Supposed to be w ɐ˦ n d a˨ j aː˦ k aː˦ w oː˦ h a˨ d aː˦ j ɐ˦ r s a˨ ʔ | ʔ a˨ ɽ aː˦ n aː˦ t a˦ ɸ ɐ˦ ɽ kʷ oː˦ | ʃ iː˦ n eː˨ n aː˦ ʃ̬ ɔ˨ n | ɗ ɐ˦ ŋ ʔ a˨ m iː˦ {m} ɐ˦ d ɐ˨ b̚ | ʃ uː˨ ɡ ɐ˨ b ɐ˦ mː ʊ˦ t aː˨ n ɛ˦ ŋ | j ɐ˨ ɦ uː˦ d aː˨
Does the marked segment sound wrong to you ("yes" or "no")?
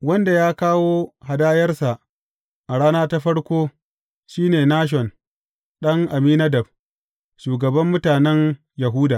yes